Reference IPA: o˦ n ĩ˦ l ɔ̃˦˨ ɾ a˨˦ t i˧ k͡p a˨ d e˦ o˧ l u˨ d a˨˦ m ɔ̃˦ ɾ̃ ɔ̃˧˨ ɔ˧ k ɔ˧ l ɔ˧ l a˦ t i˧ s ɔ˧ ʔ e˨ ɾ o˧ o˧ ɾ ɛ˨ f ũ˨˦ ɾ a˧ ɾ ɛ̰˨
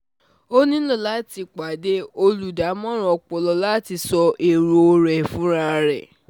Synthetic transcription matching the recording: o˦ n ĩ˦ l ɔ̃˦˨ l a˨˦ t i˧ k͡p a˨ d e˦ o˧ l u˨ d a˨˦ m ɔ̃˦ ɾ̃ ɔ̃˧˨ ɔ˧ k͡p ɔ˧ l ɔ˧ l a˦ t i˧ s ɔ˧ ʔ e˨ ɾ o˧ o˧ ɾ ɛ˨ f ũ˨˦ ɾ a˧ ɾ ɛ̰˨